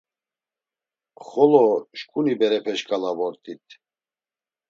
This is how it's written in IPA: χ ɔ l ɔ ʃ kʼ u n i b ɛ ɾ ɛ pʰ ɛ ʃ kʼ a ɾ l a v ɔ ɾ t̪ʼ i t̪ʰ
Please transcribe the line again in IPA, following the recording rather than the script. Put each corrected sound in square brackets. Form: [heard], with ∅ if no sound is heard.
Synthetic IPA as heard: χ ɔ l ɔ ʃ kʼ u n i b ɛ ɾ ɛ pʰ ɛ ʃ kʼ a [∅] l a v ɔ ɾ t̪ʼ i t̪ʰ